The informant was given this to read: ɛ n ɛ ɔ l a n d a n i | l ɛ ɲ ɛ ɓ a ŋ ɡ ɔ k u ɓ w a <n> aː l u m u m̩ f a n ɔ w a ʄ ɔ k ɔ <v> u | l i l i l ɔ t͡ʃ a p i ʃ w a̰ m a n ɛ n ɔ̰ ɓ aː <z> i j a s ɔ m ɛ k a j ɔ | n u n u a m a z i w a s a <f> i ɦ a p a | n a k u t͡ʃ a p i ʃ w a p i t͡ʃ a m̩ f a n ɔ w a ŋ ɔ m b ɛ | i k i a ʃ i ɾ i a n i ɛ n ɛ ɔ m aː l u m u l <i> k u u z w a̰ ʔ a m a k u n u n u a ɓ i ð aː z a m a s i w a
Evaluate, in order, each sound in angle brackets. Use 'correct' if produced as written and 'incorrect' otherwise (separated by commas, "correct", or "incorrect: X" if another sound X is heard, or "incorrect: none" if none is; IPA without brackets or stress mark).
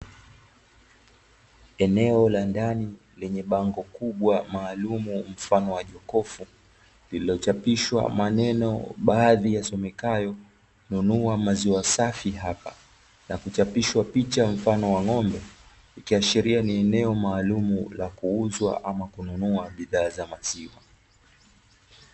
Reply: incorrect: m, incorrect: f, incorrect: ð, correct, incorrect: a